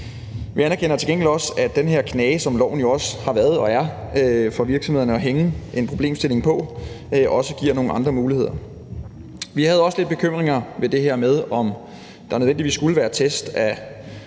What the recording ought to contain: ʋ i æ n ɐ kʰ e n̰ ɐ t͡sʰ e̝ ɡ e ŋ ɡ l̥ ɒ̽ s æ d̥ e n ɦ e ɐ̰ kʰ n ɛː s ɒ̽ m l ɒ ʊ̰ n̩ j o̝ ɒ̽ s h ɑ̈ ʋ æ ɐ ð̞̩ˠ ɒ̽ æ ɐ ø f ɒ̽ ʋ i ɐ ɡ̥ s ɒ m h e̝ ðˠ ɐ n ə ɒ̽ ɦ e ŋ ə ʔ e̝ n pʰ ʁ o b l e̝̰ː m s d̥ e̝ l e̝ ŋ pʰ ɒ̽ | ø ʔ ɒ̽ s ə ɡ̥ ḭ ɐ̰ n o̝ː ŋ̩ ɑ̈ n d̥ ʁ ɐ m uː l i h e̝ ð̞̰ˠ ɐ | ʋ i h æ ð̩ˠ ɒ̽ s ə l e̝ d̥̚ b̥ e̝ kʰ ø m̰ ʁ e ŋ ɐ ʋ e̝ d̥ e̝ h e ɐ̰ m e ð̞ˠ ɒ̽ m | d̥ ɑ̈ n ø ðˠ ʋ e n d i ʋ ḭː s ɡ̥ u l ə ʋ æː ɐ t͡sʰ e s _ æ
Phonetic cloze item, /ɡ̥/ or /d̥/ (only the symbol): d̥